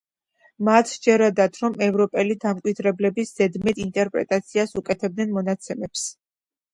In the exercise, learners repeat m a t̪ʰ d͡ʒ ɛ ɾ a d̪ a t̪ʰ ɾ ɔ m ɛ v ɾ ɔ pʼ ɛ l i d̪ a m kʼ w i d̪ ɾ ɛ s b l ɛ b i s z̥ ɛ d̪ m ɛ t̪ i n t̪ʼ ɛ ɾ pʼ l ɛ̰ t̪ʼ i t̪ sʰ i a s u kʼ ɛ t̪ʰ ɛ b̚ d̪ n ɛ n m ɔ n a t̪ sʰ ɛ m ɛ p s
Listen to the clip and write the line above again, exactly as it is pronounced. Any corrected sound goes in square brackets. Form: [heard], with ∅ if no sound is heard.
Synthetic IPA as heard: m a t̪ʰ d͡ʒ ɛ ɾ a d̪ a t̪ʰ ɾ ɔ m ɛ v ɾ ɔ pʼ ɛ l i d̪ a m kʼ w i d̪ ɾ ɛ [∅] b l ɛ b i s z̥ ɛ d̪ m ɛ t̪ i n t̪ʼ ɛ ɾ pʼ [ɾ] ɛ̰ t̪ʼ [a] t̪ sʰ i a s u kʼ ɛ t̪ʰ ɛ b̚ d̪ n ɛ n m ɔ n a t̪ sʰ ɛ m ɛ p s